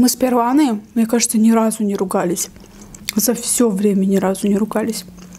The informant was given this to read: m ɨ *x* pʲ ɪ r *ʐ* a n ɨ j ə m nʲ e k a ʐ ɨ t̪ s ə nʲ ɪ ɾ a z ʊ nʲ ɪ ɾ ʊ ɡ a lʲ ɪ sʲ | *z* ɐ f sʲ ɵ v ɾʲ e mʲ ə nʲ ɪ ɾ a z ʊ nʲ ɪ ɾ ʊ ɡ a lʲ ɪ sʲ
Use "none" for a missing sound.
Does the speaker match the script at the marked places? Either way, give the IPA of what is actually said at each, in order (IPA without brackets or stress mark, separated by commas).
s, v, z